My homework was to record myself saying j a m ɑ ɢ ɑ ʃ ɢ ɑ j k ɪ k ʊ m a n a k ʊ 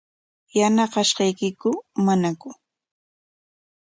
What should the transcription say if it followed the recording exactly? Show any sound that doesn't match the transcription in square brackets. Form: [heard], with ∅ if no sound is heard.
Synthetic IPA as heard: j a [n] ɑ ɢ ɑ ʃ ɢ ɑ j k ɪ k ʊ m a n a k ʊ